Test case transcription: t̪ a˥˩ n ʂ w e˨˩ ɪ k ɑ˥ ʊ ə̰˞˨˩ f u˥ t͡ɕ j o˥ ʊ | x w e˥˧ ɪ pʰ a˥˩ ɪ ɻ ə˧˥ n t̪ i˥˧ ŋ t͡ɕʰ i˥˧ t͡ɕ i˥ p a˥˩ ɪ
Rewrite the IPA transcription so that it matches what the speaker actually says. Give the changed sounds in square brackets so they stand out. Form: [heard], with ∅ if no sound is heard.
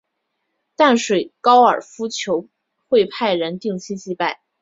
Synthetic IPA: t̪ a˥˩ n ʂ w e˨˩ ɪ k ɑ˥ ʊ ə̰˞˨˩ f u˥ [t͡ɕʰ] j [o˧˥] ʊ | x w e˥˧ ɪ pʰ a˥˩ ɪ ɻ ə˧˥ n t̪ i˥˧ ŋ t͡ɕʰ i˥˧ t͡ɕ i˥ p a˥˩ ɪ